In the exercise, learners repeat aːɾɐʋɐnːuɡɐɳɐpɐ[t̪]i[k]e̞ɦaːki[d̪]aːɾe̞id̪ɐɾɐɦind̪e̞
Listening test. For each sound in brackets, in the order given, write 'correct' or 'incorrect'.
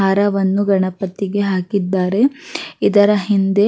correct, incorrect: ɡ, incorrect: d̪ː

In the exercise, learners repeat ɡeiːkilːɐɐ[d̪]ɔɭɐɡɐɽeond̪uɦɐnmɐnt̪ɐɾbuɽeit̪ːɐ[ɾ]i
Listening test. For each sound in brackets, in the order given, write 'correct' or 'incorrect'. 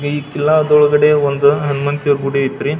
correct, correct

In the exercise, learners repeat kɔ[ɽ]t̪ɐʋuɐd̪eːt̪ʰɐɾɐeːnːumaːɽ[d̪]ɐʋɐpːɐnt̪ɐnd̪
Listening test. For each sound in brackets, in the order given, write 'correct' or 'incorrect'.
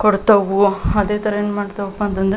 correct, incorrect: t̪

